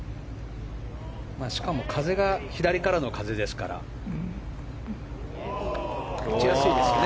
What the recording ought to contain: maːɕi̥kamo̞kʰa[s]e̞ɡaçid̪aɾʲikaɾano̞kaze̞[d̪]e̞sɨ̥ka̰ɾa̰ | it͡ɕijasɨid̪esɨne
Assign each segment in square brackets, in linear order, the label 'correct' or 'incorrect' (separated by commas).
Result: incorrect, correct